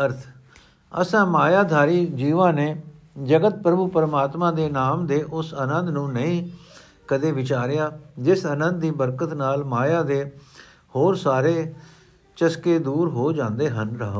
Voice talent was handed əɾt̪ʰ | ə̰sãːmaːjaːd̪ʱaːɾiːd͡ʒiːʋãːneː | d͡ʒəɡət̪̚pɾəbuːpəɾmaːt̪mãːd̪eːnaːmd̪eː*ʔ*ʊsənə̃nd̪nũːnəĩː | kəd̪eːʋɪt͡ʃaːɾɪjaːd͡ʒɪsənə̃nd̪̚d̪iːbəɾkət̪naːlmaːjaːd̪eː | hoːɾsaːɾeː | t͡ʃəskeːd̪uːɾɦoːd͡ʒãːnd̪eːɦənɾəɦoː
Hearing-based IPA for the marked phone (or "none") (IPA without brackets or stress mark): ʔ